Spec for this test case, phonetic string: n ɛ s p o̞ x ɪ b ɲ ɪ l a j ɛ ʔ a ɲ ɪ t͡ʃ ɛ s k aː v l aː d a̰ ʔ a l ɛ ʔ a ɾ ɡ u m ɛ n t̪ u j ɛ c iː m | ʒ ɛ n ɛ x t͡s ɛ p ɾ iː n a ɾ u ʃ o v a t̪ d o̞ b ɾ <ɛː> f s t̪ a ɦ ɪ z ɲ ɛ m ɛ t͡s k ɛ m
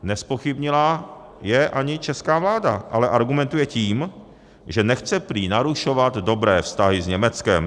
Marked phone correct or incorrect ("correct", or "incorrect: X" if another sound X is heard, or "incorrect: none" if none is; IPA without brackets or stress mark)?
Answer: correct